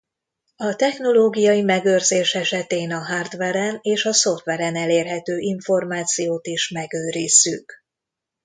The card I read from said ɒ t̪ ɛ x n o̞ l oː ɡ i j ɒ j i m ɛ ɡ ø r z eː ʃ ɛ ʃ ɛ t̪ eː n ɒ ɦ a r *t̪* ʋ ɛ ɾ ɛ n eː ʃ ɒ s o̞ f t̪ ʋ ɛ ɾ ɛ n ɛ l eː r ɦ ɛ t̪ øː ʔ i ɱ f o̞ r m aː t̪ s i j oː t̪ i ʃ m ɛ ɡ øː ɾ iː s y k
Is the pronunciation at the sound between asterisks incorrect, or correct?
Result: incorrect: d̪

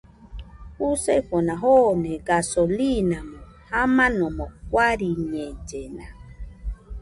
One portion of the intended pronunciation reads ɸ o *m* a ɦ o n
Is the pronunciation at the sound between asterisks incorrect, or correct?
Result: incorrect: n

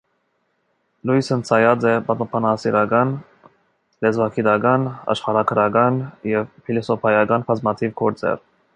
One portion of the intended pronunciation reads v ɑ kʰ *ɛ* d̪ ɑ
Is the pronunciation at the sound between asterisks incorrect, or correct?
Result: incorrect: i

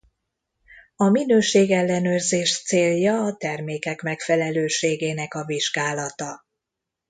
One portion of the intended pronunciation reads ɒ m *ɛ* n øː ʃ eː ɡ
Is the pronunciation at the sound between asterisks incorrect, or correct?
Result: incorrect: i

